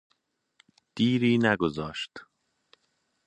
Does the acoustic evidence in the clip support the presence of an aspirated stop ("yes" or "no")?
no